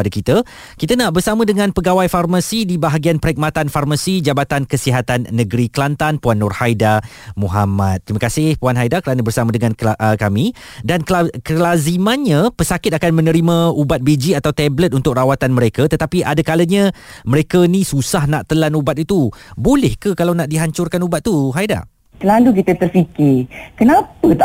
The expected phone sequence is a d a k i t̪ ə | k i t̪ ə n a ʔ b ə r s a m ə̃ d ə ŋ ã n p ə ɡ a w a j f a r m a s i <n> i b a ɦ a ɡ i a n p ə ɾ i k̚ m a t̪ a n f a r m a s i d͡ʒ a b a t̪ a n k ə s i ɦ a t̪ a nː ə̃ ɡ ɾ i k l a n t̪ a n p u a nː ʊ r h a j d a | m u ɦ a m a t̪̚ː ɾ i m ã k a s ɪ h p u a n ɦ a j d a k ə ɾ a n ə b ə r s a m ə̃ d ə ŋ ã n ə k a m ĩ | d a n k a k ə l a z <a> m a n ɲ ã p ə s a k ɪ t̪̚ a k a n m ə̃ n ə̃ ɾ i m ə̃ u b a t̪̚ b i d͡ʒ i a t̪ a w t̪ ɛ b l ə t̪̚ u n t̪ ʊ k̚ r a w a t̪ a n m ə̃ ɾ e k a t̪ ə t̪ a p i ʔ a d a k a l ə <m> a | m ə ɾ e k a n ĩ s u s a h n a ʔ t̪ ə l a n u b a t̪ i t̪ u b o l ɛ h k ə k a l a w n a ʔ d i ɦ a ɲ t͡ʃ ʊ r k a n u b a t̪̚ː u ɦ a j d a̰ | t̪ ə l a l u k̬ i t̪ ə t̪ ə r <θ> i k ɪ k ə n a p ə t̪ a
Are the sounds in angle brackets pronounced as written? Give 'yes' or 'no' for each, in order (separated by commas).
no, no, no, no